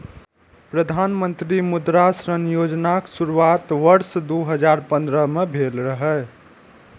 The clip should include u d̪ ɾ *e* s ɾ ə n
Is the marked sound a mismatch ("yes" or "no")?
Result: yes